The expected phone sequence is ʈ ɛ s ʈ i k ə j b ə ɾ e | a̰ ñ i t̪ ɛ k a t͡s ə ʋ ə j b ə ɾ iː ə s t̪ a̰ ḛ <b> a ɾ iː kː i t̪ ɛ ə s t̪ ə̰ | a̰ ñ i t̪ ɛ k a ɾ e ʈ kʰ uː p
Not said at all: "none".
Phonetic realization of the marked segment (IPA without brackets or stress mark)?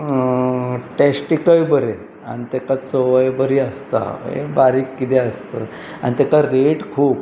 b